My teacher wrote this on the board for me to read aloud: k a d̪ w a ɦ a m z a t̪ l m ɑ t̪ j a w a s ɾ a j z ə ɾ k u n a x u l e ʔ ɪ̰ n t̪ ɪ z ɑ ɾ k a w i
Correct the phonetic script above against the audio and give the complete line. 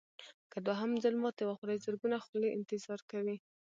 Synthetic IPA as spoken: k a d̪ w a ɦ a m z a l m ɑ t̪ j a w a x ɾ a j z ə ɾ ɡ u n a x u l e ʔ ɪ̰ n t̪ ɪ z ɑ ɾ k a w i